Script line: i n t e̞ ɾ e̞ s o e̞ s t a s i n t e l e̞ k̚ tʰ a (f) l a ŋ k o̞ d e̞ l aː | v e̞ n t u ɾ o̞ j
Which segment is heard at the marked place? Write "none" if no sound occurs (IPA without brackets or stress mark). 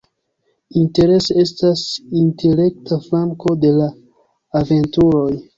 f